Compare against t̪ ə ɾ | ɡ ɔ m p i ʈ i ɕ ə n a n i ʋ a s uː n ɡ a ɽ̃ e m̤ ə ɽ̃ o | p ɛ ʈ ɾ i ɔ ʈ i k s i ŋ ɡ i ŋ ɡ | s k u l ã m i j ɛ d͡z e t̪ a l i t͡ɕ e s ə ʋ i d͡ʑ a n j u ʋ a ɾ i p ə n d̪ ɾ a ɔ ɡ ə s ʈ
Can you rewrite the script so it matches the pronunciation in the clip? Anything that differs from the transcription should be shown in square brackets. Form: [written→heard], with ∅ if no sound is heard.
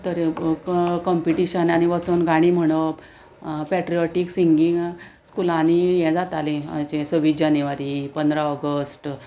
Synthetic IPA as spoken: t̪ ə ɾ | [ɡ→k] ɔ m p i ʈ i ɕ ə n a n i ʋ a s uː n ɡ a ɽ̃ [e→i] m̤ ə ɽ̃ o | p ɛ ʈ ɾ i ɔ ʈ i k s i ŋ ɡ i ŋ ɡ | s k u l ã [m→n] i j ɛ d͡z [e→a] t̪ a l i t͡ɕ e s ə ʋ i d͡ʑ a n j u ʋ a ɾ i p ə n d̪ ɾ a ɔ ɡ ə s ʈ